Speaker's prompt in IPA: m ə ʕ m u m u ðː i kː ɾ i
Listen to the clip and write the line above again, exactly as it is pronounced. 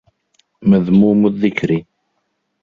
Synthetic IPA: m ə ð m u m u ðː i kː ɾ i